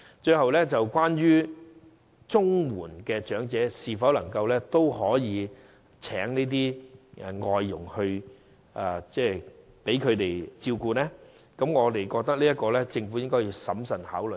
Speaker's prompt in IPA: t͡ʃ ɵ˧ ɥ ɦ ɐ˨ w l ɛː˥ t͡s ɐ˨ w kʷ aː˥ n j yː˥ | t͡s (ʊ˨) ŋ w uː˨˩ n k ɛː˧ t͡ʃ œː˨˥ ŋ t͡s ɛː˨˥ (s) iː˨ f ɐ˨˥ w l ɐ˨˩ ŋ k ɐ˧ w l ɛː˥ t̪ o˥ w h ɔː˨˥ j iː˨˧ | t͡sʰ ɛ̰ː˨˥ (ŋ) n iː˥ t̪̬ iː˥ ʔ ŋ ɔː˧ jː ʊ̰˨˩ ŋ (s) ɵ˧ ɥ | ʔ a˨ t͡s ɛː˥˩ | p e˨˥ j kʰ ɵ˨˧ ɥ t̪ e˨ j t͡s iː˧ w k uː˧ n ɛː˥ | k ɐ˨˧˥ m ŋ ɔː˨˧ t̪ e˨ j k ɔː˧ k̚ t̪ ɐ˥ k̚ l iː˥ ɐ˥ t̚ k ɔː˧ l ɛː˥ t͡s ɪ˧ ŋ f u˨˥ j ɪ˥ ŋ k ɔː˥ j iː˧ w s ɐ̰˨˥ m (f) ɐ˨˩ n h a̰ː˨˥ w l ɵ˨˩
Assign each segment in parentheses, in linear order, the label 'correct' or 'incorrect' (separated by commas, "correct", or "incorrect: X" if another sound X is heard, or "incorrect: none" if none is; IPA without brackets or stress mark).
incorrect: ʊ˥, correct, correct, incorrect: h, incorrect: s